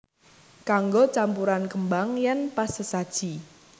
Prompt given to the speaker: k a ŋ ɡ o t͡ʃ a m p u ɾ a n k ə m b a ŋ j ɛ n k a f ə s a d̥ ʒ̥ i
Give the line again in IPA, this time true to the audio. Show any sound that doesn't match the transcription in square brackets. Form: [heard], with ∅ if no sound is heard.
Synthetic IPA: k a ŋ ɡ o t͡ʃ a m p u ɾ a n k ə m b a ŋ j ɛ n [p] a [s] ə s a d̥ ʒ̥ i